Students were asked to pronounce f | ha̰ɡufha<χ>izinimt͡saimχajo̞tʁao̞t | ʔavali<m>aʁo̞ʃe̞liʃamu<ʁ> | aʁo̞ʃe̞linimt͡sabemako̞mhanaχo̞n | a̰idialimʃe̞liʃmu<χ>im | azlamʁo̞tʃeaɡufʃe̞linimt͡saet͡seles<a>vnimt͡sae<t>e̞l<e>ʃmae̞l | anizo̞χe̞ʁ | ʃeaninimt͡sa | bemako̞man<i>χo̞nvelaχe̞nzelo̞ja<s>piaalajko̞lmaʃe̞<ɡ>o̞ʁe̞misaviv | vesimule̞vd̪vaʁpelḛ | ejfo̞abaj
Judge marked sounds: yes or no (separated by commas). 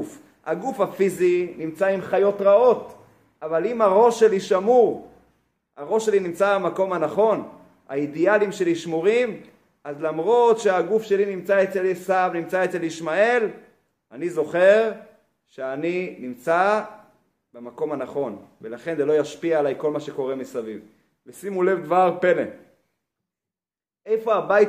no, yes, yes, no, yes, no, no, no, no, no